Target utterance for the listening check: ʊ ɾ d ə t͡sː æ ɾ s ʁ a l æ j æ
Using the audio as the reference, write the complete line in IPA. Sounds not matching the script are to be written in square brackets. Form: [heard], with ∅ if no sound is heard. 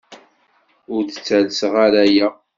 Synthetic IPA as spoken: ʊ ɾ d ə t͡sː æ [l] s ʁ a [ɾ] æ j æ